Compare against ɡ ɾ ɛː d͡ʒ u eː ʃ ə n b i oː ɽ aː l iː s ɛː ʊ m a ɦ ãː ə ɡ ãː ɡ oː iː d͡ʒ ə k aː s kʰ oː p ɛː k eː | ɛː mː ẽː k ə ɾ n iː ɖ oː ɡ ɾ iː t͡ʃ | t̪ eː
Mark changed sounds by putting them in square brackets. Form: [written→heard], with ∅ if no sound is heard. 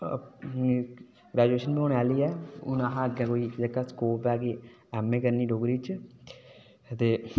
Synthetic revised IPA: ɡ ɾ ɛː d͡ʒ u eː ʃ ə n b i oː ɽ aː l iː [s→∅] ɛː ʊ [m→n] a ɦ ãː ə ɡ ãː [ɡ→k] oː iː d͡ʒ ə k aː s [kʰ→k] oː p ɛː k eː | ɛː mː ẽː k ə ɾ n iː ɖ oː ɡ ɾ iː t͡ʃ | t̪ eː